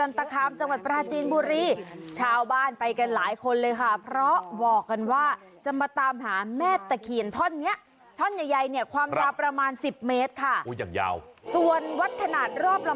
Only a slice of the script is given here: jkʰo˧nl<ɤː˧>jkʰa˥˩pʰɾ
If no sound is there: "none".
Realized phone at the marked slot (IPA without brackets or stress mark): ɤː˧